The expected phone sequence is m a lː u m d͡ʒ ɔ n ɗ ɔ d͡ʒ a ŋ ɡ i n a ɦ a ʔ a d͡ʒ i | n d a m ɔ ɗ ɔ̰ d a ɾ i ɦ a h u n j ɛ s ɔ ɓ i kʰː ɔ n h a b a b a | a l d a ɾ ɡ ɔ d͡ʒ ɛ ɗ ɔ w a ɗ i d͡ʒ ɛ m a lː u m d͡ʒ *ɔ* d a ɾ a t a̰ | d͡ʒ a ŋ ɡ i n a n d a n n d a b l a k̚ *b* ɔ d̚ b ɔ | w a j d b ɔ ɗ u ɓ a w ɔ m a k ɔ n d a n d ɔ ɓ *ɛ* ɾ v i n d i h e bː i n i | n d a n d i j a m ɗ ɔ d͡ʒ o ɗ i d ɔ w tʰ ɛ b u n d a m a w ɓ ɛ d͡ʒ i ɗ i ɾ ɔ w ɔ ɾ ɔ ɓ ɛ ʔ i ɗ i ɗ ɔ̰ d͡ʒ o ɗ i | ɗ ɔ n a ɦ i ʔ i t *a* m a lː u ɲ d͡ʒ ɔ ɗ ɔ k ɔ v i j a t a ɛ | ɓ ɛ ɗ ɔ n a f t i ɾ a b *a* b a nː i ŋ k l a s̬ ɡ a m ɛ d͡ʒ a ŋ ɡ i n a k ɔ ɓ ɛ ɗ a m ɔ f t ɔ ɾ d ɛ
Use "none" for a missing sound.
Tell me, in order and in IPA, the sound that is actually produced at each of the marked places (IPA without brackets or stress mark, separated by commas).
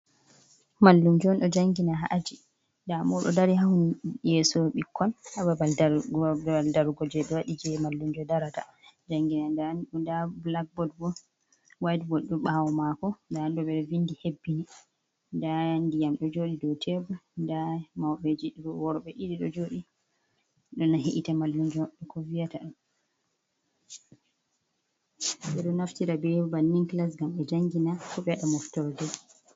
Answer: ɔ, b, ɛ, a, ɛ